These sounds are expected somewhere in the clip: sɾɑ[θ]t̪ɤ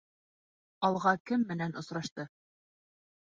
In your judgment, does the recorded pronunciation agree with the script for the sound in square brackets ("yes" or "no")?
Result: no